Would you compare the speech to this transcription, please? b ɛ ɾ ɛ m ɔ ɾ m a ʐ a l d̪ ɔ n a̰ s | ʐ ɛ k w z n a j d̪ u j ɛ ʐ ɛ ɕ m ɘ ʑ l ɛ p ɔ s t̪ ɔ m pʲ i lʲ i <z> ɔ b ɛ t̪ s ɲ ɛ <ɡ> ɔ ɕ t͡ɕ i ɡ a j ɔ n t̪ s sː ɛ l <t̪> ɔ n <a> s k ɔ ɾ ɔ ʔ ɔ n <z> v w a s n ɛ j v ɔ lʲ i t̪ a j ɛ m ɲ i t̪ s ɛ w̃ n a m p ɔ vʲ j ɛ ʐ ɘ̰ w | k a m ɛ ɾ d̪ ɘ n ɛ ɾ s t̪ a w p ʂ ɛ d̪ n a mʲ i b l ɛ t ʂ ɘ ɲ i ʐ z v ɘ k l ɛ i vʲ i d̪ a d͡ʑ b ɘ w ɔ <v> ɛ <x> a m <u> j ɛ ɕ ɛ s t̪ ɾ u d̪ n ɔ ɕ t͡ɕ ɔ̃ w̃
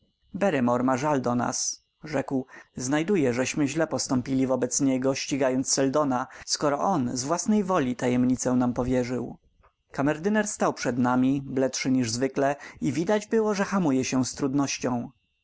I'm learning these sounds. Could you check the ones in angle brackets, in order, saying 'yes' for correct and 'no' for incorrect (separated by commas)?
no, yes, no, yes, yes, no, yes, yes